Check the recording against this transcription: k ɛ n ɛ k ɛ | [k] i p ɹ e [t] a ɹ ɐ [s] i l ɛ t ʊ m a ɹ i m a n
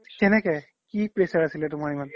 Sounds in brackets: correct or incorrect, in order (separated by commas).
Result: correct, incorrect, correct